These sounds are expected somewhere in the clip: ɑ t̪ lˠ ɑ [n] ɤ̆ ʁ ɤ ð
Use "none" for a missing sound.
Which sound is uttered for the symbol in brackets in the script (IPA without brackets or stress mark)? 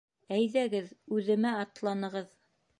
n